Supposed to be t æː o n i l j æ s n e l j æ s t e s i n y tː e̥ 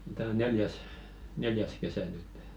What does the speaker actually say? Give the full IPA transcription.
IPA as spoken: t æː o n e l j æ s n e l j æ s k e s æ n y tː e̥